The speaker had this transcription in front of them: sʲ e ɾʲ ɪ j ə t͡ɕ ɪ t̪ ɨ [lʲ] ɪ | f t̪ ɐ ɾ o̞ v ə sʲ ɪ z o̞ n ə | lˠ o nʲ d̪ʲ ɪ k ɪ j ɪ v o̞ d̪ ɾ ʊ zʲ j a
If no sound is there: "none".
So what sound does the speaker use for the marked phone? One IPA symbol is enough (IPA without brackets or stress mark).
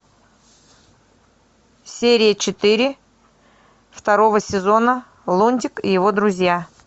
ɾʲ